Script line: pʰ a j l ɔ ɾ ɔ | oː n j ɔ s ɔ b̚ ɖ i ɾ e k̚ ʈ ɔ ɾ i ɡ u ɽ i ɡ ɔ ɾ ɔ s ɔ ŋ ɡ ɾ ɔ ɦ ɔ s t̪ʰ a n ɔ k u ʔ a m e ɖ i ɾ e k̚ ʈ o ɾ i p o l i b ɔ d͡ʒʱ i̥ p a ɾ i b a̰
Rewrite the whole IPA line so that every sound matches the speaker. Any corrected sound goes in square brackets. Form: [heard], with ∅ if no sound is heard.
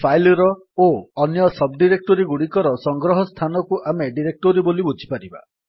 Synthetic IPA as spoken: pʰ a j l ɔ ɾ ɔ | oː n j ɔ s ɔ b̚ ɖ i ɾ e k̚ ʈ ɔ ɾ i ɡ u ɽ i [k] ɔ ɾ ɔ s ɔ ŋ ɡ ɾ ɔ ɦ ɔ s t̪ʰ a n ɔ k u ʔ a m e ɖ i ɾ e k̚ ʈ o ɾ i [b] o l i b [u] d͡ʒʱ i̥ p a ɾ i b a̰